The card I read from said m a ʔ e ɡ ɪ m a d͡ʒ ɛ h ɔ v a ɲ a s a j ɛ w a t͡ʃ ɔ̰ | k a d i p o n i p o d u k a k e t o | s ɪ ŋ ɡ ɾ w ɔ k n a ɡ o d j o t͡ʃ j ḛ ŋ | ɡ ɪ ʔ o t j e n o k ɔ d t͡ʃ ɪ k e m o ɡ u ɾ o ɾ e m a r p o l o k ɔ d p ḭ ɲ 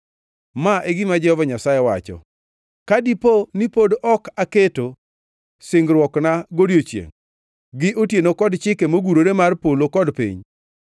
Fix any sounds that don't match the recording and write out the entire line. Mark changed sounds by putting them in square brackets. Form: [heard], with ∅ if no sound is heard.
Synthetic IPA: m a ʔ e ɡ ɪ m a d͡ʒ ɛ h ɔ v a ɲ a s a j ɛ w a t͡ʃ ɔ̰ | k a d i p o n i p o d [ɔ] k a k e t o | s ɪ ŋ ɡ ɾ w ɔ k n a ɡ o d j o t͡ʃ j ḛ ŋ | ɡ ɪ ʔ o t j e n o k ɔ d t͡ʃ ɪ k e m o ɡ u ɾ o ɾ e m a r p o l o k ɔ d p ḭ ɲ